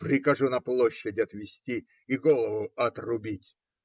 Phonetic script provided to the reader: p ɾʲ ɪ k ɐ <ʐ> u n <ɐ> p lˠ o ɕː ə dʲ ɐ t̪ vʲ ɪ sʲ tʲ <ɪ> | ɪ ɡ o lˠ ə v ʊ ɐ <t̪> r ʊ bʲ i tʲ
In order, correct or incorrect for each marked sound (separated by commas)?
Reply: correct, correct, incorrect, correct